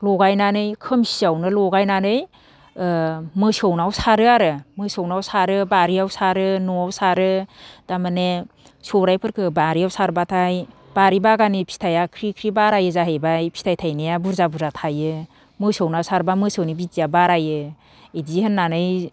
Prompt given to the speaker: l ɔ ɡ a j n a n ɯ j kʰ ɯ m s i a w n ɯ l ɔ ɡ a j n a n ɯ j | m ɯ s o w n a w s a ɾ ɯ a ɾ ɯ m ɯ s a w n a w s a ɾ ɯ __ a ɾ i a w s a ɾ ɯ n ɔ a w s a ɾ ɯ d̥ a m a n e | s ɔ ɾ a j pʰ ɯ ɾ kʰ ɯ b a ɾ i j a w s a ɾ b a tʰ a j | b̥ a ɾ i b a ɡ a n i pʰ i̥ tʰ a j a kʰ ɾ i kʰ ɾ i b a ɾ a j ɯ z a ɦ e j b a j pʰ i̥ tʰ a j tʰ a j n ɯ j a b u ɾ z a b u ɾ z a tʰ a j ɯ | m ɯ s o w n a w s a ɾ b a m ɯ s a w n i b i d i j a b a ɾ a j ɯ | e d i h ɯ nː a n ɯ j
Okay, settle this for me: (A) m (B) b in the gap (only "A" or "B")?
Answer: B